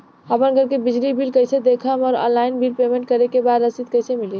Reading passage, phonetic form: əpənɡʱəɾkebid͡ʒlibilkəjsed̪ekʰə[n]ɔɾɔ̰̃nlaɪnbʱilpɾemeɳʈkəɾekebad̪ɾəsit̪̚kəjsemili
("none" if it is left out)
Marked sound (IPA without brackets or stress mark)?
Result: m